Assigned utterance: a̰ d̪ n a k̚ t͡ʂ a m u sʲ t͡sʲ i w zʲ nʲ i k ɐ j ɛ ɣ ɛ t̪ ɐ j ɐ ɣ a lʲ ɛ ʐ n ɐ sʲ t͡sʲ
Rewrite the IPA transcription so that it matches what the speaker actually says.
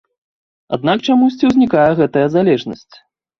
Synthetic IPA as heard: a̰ d̪ n a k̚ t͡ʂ a m u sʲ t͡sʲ i w zʲ nʲ i k a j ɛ ɣ ɛ t̪ ɐ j ɐ z a lʲ ɛ ʐ n ɐ sʲ t͡sʲ